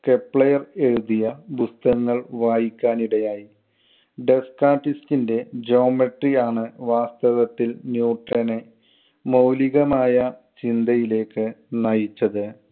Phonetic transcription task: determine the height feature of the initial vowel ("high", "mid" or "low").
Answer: mid